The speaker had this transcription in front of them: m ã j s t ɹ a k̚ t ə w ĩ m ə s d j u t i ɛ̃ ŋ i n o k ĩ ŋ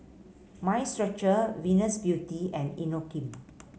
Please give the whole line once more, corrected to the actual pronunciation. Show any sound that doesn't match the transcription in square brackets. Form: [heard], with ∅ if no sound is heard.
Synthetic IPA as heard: m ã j s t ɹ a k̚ [t͡ʃ] ə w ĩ [n] ə s [b] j u t i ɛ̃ [n] i n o k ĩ [m]